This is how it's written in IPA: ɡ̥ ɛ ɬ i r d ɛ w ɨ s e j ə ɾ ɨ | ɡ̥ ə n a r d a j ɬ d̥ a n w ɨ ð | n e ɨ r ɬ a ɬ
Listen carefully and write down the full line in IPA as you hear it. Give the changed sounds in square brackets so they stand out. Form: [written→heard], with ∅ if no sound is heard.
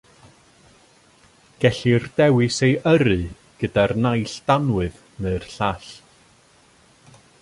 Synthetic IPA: ɡ̥ ɛ ɬ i r d ɛ w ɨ s e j ə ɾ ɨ | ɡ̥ ə [n→d] a r [d→n] a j ɬ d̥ a n w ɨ ð | n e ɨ r ɬ a ɬ